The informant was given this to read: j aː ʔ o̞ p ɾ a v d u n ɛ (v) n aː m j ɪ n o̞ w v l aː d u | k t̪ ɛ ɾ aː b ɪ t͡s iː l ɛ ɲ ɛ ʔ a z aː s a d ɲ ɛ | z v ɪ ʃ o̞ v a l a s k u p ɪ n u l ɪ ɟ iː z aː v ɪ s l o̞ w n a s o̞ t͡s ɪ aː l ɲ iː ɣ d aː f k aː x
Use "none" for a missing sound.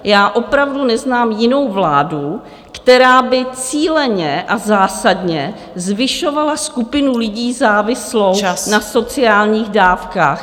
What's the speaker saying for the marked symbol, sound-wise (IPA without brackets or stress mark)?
z